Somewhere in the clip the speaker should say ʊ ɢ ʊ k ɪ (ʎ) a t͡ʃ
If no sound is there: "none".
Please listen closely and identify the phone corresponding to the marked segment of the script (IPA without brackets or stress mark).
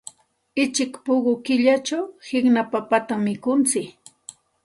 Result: ʎ